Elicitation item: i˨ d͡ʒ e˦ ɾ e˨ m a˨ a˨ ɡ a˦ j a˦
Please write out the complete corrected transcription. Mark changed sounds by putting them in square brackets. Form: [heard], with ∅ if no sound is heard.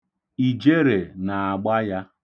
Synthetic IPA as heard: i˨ d͡ʒ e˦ ɾ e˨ [n] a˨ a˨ [ɡ͡b] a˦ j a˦

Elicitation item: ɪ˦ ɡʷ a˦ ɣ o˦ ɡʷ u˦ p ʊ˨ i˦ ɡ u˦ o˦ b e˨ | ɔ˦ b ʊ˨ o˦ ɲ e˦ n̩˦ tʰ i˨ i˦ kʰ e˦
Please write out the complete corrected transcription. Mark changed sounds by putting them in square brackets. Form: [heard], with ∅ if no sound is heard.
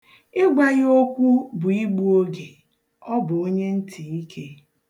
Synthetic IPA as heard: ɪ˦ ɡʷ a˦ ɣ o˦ [kʷ] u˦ [b] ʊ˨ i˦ [ɡ͡b] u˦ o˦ [ɡ] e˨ | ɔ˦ b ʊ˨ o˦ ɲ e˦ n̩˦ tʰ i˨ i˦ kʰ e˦

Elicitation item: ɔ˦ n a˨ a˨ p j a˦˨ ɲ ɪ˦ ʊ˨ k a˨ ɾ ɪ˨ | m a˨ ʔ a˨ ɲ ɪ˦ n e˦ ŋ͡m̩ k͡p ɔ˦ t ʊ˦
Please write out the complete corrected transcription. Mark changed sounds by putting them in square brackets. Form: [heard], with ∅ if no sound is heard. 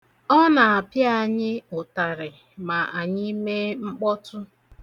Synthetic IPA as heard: ɔ˦ n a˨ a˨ p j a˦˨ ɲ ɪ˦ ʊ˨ [t] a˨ ɾ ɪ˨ | m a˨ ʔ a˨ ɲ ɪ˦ [m] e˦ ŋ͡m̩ k͡p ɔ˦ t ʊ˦

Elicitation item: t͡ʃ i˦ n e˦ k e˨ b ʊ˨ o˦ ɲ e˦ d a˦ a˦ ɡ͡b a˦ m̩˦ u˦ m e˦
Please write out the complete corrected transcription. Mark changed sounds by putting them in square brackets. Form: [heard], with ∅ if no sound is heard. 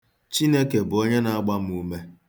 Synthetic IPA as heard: t͡ʃ i˦ n e˦ k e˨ b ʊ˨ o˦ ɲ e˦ [n] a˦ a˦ ɡ͡b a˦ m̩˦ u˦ m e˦

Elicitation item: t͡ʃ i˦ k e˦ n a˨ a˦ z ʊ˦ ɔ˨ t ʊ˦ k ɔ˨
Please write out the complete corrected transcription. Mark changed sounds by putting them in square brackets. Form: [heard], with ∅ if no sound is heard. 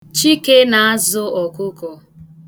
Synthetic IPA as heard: t͡ʃ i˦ k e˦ n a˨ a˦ z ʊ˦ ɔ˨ [k] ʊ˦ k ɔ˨

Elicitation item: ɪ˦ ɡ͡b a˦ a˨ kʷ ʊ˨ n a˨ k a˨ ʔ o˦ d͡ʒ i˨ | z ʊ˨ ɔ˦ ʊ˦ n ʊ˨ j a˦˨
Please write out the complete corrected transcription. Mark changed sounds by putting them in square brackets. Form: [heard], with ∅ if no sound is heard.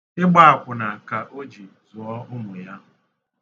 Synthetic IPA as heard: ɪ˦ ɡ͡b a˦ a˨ kʷ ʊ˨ n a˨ k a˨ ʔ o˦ d͡ʒ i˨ | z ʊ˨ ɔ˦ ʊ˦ [m] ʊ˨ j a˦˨

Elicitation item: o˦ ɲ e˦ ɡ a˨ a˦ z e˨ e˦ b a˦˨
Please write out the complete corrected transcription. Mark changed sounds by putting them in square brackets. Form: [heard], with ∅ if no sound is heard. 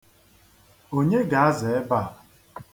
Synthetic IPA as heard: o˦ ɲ e˦ ɡ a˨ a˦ z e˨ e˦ b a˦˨

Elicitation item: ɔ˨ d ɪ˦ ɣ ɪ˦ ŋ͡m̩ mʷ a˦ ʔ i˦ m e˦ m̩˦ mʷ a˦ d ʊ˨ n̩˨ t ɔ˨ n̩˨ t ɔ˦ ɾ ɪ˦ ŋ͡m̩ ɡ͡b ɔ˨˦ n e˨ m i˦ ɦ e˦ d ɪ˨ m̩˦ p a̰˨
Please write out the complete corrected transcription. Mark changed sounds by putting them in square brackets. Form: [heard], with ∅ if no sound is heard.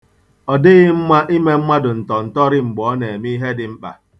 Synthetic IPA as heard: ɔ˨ d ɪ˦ ɣ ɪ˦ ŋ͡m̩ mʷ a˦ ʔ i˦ m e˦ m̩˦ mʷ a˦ d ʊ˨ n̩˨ t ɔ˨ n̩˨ t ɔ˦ ɾ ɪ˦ ŋ͡m̩ ɡ͡b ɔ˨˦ n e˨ m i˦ ɦ e˦ d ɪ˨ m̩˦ [k͡p] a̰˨

